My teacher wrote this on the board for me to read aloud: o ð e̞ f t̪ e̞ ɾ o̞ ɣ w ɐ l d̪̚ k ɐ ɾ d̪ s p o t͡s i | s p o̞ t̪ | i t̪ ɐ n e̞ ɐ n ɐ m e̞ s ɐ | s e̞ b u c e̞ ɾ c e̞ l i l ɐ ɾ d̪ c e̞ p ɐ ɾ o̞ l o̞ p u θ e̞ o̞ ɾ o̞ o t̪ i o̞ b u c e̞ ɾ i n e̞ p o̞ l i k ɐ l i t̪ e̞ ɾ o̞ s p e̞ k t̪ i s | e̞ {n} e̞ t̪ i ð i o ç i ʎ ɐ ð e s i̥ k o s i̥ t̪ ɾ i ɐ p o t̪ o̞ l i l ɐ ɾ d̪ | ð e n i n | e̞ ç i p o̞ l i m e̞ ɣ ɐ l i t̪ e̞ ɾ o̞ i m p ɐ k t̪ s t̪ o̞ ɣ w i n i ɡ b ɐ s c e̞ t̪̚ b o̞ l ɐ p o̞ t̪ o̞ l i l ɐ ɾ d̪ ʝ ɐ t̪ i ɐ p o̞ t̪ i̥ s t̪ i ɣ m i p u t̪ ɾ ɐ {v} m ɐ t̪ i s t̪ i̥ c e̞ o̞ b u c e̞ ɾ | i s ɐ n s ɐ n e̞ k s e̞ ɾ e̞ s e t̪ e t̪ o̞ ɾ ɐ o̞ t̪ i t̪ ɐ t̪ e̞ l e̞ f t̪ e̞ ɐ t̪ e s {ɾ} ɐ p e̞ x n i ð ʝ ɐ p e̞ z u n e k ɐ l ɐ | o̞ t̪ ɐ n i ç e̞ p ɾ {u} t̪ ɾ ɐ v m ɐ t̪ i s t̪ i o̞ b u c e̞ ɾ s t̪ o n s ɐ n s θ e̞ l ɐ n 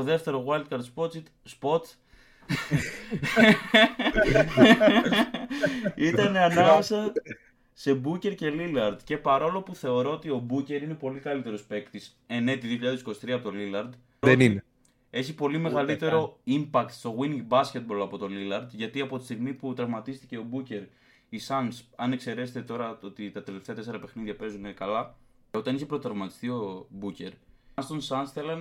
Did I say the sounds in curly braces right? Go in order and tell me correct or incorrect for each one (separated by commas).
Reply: correct, correct, correct, incorrect